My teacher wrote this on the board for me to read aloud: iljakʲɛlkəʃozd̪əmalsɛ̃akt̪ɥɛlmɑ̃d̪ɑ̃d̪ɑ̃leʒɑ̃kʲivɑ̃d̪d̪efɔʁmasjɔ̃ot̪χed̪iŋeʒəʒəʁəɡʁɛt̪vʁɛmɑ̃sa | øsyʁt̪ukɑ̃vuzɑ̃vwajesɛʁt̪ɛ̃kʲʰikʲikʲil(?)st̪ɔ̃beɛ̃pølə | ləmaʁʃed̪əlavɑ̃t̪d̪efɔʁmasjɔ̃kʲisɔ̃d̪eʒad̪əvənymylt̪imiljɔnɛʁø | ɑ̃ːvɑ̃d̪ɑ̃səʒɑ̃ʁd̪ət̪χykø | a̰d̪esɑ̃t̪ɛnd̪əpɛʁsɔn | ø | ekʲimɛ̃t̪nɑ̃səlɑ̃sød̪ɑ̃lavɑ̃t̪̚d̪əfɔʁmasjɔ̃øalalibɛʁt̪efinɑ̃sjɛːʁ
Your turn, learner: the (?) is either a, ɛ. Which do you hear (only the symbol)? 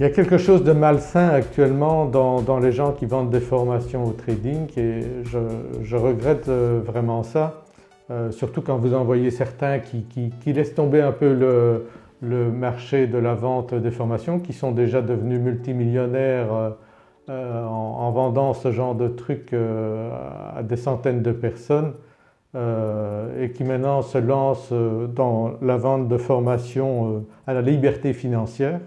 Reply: ɛ